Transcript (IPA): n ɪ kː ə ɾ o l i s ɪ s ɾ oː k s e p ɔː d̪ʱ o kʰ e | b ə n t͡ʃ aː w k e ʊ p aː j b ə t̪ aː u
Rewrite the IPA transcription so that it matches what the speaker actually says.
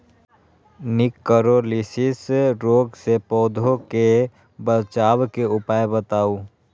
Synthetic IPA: n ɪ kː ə ɾ o l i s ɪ s ɾ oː ɡ s e p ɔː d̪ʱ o k e | b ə t͡ʃ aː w k e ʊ p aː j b ə t̪ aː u